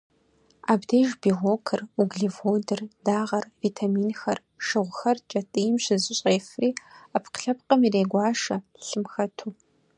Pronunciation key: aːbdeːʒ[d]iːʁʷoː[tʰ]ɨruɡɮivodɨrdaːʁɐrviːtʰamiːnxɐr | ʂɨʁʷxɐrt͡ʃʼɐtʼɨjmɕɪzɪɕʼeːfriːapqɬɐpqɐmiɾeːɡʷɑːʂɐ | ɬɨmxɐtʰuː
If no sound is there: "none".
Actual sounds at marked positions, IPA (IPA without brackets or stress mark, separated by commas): b, kʰ